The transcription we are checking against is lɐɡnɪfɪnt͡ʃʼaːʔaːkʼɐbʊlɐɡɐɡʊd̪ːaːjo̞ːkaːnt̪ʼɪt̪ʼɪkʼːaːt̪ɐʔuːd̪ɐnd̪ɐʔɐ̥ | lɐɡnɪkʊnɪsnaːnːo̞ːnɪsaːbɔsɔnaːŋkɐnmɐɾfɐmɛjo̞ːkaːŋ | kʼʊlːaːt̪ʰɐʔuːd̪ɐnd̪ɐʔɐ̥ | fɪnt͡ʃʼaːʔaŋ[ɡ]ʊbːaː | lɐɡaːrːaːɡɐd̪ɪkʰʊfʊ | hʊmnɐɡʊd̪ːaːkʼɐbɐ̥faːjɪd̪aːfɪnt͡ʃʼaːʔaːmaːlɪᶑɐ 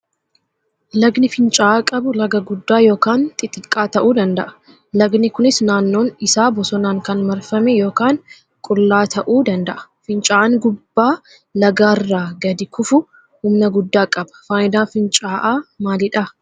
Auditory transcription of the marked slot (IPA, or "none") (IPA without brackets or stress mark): ɡ